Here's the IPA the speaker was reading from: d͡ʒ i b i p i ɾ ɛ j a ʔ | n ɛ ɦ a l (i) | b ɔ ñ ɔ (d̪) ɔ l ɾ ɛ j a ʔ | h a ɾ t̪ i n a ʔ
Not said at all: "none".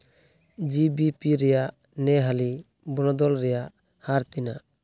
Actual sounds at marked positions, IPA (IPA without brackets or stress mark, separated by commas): i, d̪